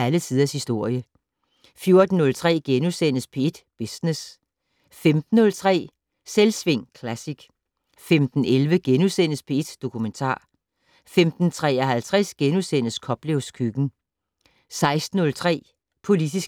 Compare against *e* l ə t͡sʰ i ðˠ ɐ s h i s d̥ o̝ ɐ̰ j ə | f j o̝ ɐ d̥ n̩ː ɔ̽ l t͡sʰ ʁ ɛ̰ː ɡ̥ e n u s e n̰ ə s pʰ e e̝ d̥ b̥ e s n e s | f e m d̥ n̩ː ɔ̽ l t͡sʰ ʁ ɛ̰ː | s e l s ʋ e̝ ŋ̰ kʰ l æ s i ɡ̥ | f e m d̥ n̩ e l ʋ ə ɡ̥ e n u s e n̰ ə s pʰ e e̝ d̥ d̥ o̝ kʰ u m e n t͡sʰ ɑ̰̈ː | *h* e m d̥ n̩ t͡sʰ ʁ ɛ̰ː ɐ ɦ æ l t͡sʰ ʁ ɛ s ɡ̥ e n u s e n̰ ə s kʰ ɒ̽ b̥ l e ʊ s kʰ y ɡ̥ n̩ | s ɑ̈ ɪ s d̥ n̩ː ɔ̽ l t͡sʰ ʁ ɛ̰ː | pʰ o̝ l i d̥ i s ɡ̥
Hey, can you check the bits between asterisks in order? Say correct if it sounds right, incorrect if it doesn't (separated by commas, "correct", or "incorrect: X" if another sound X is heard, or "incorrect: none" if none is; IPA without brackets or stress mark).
incorrect: æ, incorrect: f